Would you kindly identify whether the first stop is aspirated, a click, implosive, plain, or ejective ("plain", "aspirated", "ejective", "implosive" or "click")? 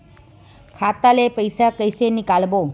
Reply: aspirated